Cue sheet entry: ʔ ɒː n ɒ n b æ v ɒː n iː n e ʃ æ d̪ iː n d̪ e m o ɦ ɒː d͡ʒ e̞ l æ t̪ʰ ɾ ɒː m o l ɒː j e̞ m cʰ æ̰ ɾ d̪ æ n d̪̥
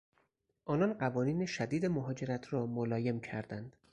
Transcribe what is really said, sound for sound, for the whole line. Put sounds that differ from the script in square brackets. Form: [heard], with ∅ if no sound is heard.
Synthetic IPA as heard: ʔ ɒː n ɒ n [ɢ] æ v ɒː n iː n e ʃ æ d̪ iː [∅] d̪ e m o ɦ ɒː d͡ʒ e̞ [ɾ] æ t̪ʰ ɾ ɒː m o l ɒː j e̞ m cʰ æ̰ ɾ d̪ æ n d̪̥